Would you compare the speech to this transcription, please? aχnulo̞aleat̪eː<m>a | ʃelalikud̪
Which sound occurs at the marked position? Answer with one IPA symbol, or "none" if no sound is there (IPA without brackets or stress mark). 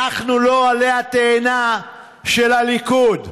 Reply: n